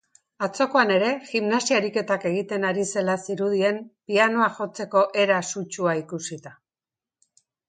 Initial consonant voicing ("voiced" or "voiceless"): voiceless